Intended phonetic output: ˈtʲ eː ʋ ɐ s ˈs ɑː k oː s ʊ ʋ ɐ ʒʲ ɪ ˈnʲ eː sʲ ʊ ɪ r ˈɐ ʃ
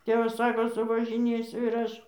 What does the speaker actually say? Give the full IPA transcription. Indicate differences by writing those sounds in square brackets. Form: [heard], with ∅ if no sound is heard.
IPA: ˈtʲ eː ʋ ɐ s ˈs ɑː k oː s ʊ ʋ ɐ ʒʲ ɪ ˈnʲ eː sʲ ʊ ɪ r ˈɐ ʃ